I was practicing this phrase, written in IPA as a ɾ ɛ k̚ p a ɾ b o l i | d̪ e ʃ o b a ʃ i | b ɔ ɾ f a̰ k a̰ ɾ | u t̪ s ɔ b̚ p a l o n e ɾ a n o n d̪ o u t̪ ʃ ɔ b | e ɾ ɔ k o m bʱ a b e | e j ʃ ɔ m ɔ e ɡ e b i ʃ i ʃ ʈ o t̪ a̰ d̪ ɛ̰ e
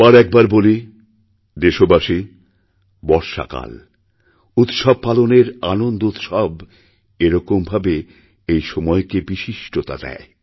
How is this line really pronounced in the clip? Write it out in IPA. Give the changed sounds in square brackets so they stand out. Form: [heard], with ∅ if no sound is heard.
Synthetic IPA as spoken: a ɾ ɛ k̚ [b] a ɾ b o l i | d̪ e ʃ o b a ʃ i | b ɔ ɾ [ʃ] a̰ k a̰ [l] | u t̪ [ʃ] ɔ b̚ p a l o n e ɾ a n o n d̪ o u t̪ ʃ ɔ b | e ɾ ɔ k o m bʱ a b e | e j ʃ ɔ m ɔ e [k] e b i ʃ i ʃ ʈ o t̪ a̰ d̪ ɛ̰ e